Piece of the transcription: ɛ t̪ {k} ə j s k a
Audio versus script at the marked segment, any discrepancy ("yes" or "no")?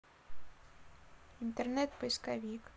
yes